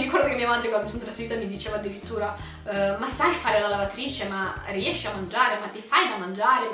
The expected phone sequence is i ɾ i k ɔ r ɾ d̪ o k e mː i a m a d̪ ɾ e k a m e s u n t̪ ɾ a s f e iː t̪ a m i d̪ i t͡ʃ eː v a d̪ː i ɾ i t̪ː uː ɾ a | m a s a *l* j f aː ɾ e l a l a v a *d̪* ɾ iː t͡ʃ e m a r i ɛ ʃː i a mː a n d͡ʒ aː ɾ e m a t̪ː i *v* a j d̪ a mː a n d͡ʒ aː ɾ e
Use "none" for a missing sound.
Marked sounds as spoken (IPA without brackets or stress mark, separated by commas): none, t̪, f